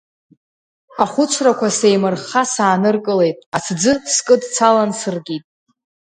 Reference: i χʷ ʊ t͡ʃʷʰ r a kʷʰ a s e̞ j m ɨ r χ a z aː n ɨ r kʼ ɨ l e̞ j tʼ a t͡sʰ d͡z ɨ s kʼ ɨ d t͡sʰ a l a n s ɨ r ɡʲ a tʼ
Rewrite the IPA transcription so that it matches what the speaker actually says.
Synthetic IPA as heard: a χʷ ʊ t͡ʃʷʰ r a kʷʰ a s e̞ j m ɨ r χ a s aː n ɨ r kʼ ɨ l e̞ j tʼ a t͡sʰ d͡z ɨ s kʼ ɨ d t͡sʰ a l a n s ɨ r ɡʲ i tʼ